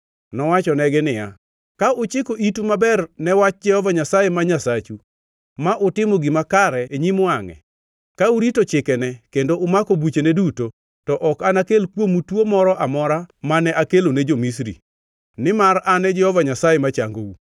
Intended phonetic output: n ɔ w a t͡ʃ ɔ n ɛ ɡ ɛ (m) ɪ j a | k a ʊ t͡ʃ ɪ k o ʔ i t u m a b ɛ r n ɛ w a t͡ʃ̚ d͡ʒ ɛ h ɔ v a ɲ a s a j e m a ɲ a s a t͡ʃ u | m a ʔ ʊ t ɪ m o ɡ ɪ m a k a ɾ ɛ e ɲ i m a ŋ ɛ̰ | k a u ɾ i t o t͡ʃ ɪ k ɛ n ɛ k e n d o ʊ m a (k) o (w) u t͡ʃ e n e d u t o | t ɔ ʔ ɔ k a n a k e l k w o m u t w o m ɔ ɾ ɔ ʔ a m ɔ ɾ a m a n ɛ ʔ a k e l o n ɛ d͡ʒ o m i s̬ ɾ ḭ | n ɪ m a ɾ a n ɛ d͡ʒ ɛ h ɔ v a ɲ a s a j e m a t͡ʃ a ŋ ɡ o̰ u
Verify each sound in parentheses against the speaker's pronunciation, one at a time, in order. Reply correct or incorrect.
incorrect, correct, incorrect

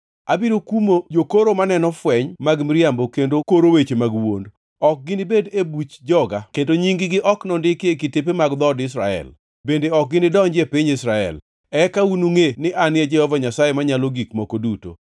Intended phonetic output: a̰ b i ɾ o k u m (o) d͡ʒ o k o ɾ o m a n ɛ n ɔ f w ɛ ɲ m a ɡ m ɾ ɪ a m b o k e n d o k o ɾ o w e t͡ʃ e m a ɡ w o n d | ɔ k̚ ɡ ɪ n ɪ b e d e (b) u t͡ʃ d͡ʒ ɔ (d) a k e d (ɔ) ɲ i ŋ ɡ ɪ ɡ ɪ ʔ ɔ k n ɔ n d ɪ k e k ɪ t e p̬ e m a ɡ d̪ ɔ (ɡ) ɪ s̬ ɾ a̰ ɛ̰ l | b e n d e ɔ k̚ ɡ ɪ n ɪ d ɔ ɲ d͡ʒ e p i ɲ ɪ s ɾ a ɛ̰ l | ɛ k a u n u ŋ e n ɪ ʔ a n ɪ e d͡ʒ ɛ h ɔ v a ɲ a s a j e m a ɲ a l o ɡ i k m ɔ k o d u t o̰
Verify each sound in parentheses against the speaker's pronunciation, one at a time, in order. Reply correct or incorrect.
correct, correct, incorrect, incorrect, incorrect

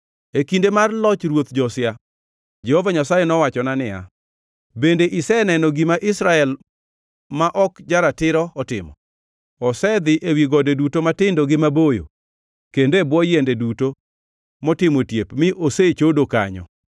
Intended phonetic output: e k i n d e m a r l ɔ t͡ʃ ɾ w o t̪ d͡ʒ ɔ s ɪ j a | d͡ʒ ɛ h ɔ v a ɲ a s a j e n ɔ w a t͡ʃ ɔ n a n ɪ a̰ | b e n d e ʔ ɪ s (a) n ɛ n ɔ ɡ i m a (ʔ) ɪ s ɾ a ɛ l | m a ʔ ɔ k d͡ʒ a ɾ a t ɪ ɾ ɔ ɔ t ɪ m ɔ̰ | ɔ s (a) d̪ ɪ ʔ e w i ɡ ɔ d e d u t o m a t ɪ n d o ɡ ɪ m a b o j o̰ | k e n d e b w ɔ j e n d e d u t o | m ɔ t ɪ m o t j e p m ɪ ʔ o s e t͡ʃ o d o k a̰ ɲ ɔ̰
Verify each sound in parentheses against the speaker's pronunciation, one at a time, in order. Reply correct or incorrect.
incorrect, correct, incorrect

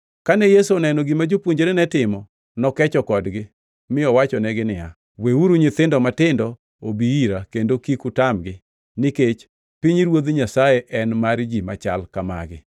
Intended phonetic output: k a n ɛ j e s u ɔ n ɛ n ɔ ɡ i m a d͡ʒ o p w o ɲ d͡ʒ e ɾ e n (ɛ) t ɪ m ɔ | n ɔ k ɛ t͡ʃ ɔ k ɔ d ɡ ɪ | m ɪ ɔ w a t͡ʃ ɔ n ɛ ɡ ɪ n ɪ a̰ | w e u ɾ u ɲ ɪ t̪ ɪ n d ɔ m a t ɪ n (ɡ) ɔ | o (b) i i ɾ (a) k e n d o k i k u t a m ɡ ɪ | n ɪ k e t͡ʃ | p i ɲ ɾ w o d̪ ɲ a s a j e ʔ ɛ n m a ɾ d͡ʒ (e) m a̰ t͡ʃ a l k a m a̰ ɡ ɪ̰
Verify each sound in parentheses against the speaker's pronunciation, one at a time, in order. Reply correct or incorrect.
correct, incorrect, correct, correct, incorrect

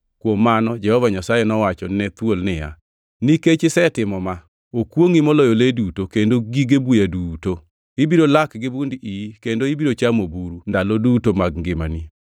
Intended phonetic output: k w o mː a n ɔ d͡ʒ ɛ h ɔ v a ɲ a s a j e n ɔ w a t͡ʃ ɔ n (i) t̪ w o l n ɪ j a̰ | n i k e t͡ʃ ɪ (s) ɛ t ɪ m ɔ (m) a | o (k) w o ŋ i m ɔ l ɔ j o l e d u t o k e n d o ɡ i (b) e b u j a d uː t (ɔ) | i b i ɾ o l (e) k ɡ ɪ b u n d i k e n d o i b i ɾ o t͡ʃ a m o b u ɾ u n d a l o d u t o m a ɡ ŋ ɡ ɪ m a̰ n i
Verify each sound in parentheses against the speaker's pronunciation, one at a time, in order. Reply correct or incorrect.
incorrect, correct, correct, correct, incorrect, incorrect, incorrect

